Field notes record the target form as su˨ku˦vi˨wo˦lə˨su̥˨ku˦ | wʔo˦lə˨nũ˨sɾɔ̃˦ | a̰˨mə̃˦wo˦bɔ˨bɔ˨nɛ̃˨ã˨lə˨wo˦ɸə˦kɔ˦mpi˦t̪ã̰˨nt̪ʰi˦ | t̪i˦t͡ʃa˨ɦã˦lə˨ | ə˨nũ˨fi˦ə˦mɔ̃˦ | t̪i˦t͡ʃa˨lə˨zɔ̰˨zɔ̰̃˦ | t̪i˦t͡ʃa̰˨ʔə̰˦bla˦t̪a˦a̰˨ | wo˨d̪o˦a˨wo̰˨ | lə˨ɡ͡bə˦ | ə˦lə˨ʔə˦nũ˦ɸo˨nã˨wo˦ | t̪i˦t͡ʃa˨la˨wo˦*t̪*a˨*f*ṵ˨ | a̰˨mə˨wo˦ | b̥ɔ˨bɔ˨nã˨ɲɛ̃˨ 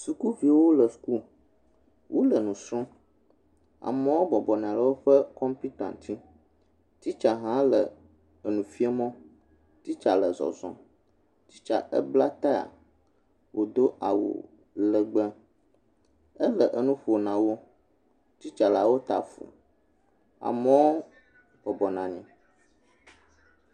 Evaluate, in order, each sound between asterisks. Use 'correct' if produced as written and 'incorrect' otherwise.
correct, correct

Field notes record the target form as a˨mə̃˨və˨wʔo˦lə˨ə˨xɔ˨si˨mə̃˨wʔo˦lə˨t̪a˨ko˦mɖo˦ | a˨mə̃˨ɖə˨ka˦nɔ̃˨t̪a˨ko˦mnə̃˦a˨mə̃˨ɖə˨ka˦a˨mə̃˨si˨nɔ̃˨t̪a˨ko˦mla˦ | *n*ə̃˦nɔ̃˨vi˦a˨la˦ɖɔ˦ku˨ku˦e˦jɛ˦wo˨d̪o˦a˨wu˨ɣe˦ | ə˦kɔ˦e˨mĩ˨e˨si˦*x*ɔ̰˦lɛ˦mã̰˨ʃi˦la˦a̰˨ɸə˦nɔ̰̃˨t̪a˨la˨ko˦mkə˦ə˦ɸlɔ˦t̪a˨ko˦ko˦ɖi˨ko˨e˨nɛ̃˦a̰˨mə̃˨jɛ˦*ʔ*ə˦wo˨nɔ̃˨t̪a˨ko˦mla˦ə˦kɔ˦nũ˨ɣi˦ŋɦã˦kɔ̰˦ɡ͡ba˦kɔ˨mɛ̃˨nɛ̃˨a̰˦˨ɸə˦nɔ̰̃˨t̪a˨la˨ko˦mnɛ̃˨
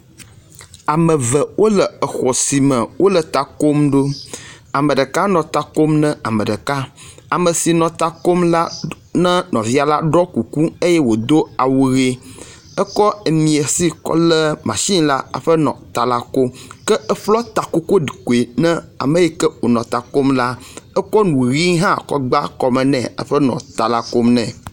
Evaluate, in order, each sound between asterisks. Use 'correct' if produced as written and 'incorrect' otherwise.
correct, incorrect: k, incorrect: k

